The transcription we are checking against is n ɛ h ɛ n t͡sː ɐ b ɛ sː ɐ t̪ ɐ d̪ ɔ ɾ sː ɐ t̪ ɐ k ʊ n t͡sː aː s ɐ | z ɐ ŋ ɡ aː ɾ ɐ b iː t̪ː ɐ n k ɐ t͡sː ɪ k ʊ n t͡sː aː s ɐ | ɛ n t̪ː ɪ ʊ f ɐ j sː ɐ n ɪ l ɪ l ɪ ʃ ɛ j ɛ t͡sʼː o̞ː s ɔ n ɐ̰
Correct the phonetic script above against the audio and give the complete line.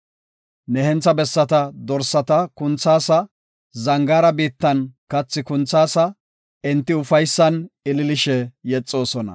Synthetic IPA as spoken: n ɛ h ɛ n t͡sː ɐ b ɛ sː ɐ t̪ ɐ d̪ ɔ ɾ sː ɐ t̪ ɐ k ʊ n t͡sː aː s ɐ | z ɐ ŋ ɡ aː ɾ ɐ b iː t̪ː ɐ n k ɐ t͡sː ɪ k ʊ n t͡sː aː s ɐ | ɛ n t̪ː ɪ ʊ f ɐ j sː ɐ n ɪ l ɪ l ɪ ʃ ɛ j ɛ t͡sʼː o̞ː s ɔ n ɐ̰